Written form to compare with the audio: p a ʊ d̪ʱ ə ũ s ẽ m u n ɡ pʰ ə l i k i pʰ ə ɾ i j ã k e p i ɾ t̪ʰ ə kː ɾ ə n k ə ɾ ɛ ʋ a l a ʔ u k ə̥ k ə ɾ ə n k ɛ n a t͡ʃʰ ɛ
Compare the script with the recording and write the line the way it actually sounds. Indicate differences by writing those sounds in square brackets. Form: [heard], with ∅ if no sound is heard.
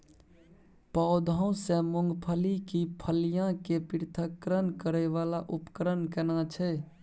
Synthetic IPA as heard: p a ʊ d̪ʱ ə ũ s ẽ m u [ŋ] ɡ pʰ ə l i k i pʰ ə [l] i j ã k e p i ɾ t̪ʰ ə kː ɾ ə n k ə ɾ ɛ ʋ a l a ʔ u [p] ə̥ k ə ɾ ə n k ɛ n a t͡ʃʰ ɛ